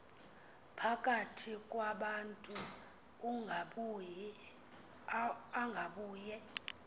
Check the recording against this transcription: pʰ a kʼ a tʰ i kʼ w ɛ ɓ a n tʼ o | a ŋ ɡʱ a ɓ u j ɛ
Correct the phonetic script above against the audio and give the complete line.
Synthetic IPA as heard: pʰ a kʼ a tʰ i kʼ w a ɓ a n tʼ u | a ŋ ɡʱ a ɓ uː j ɛ